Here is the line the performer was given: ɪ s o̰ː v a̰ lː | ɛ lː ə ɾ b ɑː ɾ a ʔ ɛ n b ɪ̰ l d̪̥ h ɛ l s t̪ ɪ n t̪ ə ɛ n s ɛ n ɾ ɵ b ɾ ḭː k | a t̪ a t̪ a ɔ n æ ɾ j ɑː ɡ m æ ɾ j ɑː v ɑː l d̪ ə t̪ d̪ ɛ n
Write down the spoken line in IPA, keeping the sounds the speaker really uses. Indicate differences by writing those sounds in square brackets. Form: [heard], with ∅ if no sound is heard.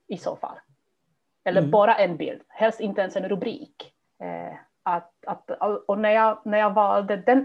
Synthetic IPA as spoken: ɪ s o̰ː [f] a̰ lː | ɛ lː ə ɾ b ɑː ɾ a ʔ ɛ n b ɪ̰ l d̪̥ h ɛ l s t̪ ɪ n t̪ ə ɛ n s ɛ n ɾ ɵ b ɾ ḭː k | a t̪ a t̪ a ɔ n æ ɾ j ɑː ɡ [n] æ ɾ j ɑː v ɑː l d̪ ə [∅] d̪ ɛ n